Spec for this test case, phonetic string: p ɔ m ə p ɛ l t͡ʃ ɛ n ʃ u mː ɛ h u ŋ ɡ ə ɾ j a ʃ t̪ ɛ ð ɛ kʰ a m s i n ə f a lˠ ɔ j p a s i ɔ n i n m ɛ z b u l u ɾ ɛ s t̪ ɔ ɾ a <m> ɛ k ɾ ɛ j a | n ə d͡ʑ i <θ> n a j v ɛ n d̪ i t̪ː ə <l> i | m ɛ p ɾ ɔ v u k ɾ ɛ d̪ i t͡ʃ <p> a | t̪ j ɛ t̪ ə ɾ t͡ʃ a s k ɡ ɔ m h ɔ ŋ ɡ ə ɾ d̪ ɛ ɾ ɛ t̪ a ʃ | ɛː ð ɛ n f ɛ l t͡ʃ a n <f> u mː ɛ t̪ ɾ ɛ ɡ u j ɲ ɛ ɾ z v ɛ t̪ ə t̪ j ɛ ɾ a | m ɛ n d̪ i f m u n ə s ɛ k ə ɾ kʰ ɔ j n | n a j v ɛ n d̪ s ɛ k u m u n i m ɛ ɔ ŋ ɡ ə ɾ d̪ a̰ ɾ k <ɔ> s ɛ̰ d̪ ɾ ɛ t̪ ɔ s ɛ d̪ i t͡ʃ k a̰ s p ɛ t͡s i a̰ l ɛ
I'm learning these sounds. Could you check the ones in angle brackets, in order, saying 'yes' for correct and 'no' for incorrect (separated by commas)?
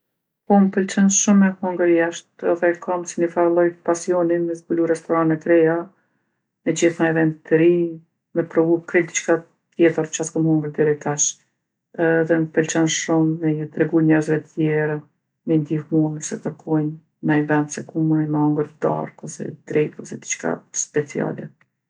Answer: no, yes, no, no, no, yes